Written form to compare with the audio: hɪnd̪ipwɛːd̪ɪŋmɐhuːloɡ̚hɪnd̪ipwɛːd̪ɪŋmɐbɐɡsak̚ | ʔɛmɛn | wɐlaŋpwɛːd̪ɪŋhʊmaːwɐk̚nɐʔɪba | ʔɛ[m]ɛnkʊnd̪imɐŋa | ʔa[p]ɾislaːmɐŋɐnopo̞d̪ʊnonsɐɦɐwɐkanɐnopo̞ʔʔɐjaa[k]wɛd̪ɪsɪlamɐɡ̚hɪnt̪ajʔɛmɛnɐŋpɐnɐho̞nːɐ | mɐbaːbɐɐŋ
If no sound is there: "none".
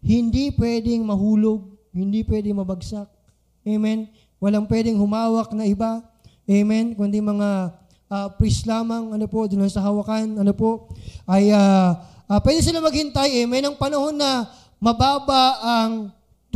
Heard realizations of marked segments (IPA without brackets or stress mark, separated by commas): m, p, p